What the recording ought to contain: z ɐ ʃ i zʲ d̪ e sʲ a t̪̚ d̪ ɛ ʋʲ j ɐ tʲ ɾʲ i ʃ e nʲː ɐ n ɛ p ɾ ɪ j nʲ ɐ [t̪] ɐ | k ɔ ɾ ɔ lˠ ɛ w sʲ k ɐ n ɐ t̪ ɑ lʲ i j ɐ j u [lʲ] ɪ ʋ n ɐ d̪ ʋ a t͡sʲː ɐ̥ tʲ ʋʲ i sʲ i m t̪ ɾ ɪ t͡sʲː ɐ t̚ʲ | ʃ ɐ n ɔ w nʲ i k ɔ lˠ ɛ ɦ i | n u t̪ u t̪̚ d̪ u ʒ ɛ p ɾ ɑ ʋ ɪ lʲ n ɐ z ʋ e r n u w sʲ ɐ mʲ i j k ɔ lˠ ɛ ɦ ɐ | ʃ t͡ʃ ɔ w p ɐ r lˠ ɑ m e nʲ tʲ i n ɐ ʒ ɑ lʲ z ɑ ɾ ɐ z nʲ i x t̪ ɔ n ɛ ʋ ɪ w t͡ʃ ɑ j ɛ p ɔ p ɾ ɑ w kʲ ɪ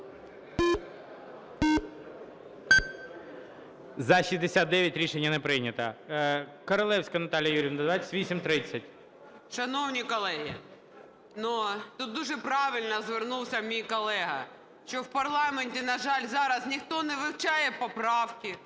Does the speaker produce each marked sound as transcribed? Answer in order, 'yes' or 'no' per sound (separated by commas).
yes, no